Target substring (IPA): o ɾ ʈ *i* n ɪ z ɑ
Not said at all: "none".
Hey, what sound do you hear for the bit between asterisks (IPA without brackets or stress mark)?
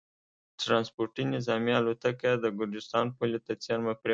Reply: i